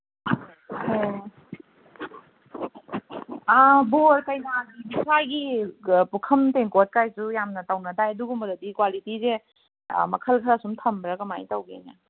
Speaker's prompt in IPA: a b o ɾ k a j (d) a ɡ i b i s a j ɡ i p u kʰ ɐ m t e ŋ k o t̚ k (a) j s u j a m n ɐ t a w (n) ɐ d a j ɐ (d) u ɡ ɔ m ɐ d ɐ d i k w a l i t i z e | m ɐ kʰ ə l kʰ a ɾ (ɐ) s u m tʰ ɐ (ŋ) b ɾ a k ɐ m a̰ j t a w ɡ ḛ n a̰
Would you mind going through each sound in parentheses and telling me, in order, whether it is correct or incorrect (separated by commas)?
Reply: incorrect, correct, correct, correct, incorrect, incorrect